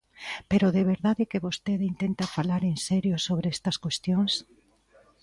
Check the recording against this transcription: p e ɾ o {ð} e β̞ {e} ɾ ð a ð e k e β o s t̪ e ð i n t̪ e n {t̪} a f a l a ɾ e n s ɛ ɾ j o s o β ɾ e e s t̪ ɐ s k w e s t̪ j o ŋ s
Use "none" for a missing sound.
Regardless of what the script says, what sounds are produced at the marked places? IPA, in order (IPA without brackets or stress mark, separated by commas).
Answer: ð, e, t̪